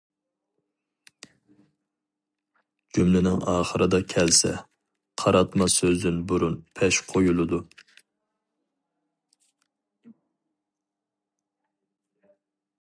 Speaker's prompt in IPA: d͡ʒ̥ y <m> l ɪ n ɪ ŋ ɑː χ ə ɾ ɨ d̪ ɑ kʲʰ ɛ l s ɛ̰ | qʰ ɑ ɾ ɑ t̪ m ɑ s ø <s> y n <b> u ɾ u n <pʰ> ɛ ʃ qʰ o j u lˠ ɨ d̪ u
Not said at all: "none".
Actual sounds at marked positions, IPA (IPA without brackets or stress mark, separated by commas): m, z, b, pʰ